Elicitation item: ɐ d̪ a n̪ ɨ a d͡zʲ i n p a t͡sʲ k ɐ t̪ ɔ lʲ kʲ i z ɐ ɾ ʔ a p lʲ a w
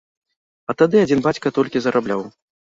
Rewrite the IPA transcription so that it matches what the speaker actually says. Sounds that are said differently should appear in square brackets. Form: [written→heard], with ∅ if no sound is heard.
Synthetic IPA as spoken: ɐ [d̪→t̪] a [n̪→d̪] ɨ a d͡zʲ i n [p→b] a t͡sʲ k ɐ t̪ ɔ lʲ kʲ i z ɐ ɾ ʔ a [p→b] lʲ a w